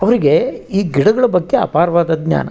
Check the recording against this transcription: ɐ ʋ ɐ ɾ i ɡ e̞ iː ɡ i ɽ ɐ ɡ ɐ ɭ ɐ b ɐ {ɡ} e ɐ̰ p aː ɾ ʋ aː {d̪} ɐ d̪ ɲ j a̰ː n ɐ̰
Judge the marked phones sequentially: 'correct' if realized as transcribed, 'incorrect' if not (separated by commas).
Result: incorrect, correct